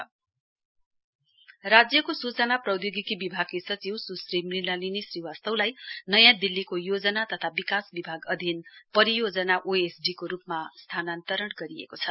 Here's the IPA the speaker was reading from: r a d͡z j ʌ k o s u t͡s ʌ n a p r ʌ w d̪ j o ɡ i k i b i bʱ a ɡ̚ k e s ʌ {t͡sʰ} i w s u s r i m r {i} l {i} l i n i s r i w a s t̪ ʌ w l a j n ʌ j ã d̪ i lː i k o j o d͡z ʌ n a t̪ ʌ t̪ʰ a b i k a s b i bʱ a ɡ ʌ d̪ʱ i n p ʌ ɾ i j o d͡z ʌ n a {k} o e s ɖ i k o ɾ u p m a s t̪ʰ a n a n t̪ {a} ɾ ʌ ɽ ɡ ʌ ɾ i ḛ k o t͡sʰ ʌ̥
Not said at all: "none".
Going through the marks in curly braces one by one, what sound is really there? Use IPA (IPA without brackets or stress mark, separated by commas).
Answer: t͡s, i, a, ʔ, ʌ